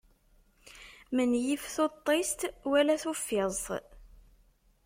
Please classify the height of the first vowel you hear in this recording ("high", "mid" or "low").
mid